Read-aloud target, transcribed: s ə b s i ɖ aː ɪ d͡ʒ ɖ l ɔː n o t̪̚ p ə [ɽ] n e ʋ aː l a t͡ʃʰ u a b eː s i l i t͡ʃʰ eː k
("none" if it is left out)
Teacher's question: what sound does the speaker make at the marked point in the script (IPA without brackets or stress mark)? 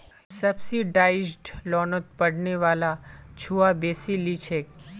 ɽ